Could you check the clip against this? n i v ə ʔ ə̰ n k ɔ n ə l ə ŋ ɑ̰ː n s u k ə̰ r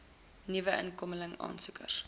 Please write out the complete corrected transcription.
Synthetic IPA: n i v ə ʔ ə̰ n k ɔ m ə l ə ŋ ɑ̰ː n s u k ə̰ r